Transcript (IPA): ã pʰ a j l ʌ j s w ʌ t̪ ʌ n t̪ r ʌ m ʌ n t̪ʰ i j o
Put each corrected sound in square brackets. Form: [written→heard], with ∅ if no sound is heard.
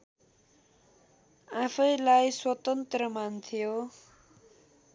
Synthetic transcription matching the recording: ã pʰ [a→ʌ] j l [ʌ→a] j s w ʌ t̪ ʌ n t̪ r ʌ m [ʌ→a] n t̪ʰ i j o

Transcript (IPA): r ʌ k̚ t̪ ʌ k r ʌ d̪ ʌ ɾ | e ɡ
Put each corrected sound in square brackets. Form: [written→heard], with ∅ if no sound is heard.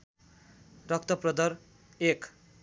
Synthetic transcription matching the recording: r ʌ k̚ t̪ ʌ [k→p] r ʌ d̪ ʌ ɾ | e [ɡ→k]

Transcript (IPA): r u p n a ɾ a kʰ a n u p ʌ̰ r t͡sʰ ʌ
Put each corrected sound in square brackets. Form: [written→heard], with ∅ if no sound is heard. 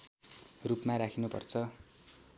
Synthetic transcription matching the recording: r u p [n→m] a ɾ a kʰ [a→i] n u p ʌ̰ r t͡sʰ ʌ

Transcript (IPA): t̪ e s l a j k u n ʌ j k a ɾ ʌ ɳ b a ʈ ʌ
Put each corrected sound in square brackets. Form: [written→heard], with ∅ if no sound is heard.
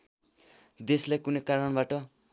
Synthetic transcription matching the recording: [t̪→d̪] e s l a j k u n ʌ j k a ɾ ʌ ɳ b a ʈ ʌ

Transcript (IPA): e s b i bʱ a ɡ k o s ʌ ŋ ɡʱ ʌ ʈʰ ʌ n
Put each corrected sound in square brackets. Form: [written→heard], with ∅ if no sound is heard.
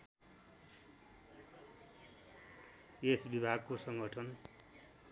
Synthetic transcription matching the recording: e s b i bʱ a ɡ k o s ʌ ŋ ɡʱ ʌ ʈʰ ʌ n

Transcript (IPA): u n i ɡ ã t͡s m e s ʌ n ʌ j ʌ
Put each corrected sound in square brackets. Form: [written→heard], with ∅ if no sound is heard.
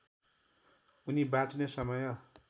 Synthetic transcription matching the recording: u n i [ɡ→b] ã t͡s [m→n] e s ʌ [n→m] ʌ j ʌ

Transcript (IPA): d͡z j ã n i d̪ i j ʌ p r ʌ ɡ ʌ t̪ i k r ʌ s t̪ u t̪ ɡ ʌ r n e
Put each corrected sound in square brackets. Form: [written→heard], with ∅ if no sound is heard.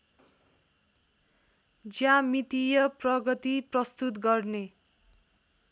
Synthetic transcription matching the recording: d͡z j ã [n→m] i [d̪→t̪] i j ʌ p r ʌ ɡ ʌ t̪ i [k→p] r ʌ s t̪ u t̪ ɡ ʌ r n e

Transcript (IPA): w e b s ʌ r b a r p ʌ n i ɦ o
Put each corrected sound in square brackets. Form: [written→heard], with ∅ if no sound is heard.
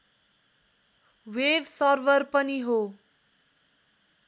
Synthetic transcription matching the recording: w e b s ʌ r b [a→ʌ] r p ʌ n i ɦ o

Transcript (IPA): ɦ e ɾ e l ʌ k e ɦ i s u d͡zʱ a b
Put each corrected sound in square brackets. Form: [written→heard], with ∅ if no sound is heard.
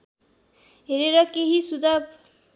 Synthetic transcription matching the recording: ɦ e ɾ e [l→ɾ] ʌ k e ɦ i s u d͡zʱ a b

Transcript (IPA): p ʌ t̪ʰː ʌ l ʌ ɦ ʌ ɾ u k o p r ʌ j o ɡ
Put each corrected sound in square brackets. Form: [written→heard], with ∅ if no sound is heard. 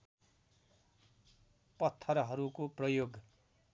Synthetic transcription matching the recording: p ʌ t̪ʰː ʌ [l→ɾ] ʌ ɦ ʌ ɾ u k o p r ʌ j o ɡ

